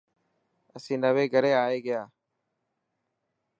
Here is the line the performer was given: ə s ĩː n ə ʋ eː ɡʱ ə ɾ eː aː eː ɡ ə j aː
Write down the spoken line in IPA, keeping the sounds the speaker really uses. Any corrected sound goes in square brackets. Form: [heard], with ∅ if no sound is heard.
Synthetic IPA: ə s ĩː n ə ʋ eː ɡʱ ə ɾ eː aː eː ɡ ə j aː